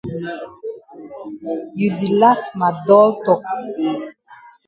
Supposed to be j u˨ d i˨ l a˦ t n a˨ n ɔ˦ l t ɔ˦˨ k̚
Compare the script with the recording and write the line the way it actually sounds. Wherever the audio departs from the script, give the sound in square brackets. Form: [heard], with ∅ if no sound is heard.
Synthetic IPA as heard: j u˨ d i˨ l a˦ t [m] a˨ [d] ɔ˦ l t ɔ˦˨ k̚

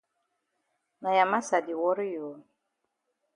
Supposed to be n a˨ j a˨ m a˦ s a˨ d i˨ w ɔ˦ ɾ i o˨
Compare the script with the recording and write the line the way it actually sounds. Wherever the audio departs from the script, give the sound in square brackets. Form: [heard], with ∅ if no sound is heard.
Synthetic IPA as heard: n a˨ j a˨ m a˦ s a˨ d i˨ w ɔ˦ ɾ [j] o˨

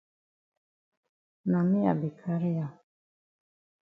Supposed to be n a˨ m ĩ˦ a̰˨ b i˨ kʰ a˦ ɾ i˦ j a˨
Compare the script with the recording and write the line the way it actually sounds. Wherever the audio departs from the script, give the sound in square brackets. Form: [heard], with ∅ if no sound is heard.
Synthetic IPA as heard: n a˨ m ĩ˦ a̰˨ b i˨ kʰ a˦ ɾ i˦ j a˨

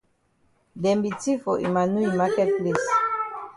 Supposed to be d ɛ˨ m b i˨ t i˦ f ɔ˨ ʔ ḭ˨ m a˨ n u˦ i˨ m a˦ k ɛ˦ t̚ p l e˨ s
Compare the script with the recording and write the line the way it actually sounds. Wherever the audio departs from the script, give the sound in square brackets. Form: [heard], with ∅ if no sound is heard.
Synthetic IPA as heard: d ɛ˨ m b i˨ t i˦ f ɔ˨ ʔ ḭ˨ m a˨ n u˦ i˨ m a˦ k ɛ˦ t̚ p l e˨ s

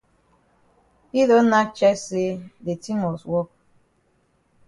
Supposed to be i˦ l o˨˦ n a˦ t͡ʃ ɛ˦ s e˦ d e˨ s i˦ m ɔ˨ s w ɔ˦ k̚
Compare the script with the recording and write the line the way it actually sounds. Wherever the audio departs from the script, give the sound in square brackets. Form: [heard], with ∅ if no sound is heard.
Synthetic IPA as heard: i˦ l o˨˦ n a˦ t͡ʃ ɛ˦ s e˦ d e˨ [t] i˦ m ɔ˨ s w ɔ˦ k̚

